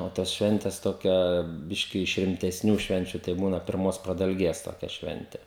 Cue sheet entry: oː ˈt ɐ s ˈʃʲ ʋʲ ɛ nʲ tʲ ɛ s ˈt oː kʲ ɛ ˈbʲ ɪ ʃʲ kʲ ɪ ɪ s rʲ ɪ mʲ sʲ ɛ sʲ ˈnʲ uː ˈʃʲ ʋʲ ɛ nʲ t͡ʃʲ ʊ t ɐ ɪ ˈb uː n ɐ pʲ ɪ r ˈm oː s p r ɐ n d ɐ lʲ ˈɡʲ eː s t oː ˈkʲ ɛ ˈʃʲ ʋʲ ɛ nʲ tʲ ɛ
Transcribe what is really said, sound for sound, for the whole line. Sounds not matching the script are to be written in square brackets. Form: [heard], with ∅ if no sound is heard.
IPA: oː ˈt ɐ s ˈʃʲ ʋʲ ɛ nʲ tʲ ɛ s ˈt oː kʲ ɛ ˈbʲ ɪ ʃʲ kʲ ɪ ɪ [ʃ] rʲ ɪ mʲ [tʲ] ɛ sʲ ˈnʲ uː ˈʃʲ ʋʲ ɛ nʲ t͡ʃʲ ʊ t ɐ ɪ ˈb uː n ɐ pʲ ɪ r ˈm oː s p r ɐ [∅] d ɐ lʲ ˈɡʲ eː s t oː ˈkʲ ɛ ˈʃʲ ʋʲ ɛ nʲ tʲ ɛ